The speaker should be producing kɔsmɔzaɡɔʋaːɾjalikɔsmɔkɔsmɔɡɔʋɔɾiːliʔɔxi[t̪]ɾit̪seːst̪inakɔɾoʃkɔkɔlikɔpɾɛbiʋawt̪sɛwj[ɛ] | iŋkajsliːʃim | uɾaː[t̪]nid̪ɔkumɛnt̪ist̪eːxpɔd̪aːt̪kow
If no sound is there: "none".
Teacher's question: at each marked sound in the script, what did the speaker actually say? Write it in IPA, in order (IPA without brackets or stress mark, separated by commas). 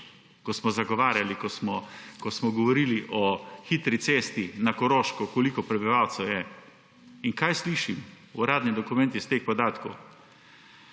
t̪, ɛ, d̪